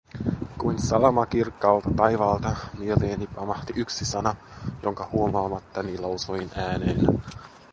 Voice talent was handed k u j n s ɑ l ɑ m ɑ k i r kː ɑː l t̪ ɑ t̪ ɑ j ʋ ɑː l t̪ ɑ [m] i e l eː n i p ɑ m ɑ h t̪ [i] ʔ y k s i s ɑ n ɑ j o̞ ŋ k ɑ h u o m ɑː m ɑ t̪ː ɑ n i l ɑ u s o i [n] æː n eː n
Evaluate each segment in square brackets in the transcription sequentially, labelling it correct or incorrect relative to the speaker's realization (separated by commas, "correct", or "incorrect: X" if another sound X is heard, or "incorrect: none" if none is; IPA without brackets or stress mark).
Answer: correct, correct, correct